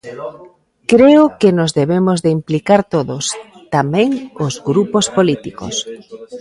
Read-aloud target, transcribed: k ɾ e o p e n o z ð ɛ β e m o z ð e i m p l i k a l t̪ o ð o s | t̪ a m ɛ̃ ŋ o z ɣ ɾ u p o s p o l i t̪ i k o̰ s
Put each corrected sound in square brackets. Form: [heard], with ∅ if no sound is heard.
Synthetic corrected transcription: k ɾ e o [k] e n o z ð [e] β e m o z ð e i m p l i k a [ɾ] t̪ o ð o s | t̪ a m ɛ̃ ŋ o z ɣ ɾ u p o s p o l i t̪ i k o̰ s